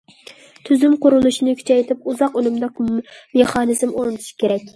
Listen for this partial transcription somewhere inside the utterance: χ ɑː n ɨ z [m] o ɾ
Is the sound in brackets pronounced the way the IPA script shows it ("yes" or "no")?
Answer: yes